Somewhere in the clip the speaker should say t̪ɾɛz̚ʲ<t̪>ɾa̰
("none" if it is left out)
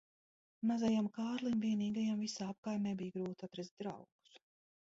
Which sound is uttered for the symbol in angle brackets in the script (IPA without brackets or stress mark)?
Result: d̪